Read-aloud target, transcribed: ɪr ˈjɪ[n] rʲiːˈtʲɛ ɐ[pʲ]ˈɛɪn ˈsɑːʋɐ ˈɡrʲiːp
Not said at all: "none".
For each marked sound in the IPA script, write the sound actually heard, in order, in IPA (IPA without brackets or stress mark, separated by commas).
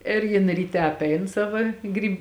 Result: n, pʲ